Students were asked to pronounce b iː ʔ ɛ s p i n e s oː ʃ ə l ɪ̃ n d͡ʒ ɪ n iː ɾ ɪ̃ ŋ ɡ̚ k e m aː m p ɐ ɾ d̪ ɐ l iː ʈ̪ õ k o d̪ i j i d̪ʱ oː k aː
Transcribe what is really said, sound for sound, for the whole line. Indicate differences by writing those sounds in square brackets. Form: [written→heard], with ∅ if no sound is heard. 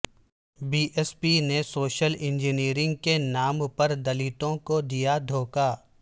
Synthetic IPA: b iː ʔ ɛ s p i n e s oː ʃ ə l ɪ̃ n d͡ʒ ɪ n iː ɾ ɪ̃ ŋ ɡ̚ k e [m→n] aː m p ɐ ɾ d̪ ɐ l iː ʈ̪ õ k o d̪ i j [i→a] d̪ʱ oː k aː